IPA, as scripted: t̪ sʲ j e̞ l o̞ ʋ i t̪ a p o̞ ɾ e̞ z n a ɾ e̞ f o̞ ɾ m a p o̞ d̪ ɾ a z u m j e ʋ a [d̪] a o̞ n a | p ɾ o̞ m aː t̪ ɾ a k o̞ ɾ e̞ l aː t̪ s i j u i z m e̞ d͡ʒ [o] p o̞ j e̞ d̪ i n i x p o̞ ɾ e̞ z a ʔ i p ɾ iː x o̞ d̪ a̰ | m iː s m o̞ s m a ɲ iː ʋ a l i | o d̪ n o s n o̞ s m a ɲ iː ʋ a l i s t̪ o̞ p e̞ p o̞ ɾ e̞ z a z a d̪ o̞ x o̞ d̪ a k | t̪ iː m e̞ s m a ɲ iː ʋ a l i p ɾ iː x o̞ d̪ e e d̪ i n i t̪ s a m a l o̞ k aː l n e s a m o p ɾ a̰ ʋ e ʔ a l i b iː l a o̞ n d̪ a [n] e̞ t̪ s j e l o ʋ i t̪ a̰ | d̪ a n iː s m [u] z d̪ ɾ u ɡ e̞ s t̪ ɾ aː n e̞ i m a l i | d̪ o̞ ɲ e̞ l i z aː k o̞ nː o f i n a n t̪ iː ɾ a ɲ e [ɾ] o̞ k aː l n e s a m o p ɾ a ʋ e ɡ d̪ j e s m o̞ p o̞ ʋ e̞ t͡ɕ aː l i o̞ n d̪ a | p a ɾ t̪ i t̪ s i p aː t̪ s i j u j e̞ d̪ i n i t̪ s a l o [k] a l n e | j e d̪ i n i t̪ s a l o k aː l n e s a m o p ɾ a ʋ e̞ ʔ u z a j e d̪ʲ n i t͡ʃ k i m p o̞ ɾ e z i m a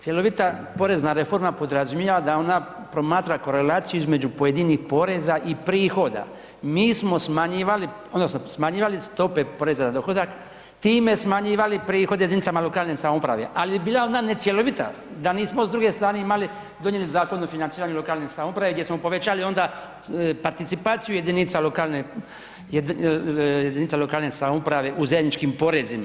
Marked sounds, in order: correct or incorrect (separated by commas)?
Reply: correct, incorrect, correct, incorrect, incorrect, correct